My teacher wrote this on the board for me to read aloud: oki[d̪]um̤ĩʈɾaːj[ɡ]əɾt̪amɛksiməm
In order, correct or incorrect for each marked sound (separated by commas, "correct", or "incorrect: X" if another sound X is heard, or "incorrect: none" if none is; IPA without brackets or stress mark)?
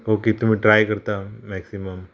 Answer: incorrect: t̪, incorrect: k